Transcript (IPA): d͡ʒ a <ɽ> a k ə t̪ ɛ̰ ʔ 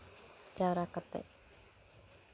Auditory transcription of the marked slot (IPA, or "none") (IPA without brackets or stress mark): ɾ